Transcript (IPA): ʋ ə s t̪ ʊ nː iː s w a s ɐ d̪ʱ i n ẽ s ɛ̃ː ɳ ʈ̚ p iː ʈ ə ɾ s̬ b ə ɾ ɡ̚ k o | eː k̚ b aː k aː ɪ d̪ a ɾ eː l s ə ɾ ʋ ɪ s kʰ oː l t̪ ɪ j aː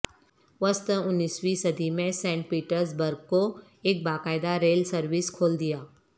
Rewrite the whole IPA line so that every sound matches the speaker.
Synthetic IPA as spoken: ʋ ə s t̪ ʊ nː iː s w i s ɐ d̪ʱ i m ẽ s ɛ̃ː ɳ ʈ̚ p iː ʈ ə ɾ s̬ b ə ɾ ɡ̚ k o | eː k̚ b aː k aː ɪ d̪ a ɾ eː l s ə ɾ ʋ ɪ s kʰ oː l d̪ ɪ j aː